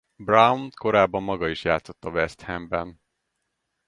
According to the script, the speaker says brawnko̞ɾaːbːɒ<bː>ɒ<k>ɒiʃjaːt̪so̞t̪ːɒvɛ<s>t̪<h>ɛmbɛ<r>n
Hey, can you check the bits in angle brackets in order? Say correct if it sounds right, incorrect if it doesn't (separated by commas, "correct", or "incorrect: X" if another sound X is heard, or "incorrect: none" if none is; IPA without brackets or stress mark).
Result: incorrect: mː, incorrect: ɡ, correct, correct, incorrect: none